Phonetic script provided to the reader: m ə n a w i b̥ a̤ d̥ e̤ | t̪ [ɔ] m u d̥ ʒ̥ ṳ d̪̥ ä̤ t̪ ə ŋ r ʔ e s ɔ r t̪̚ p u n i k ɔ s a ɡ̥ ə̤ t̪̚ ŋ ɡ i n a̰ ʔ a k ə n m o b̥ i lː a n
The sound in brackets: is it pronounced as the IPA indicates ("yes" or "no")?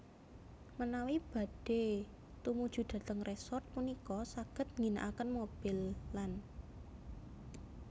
no